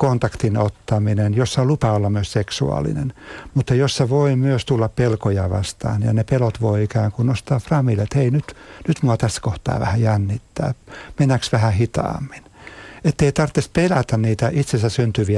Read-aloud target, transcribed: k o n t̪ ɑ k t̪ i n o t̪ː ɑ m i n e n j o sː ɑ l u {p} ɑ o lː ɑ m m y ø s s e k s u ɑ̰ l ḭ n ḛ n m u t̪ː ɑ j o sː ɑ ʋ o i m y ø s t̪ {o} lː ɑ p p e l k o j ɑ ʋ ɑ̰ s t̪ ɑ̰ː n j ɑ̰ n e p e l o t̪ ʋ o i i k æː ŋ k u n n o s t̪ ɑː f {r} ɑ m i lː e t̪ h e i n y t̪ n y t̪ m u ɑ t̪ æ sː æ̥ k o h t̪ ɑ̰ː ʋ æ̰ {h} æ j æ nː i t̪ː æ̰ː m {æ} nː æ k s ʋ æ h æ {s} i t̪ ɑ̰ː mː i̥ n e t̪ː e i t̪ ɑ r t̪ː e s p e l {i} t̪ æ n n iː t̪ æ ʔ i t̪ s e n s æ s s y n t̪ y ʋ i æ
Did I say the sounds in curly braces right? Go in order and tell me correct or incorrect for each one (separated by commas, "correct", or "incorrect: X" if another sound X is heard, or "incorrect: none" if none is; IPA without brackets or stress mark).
correct, incorrect: u, correct, correct, incorrect: e, incorrect: h, incorrect: æ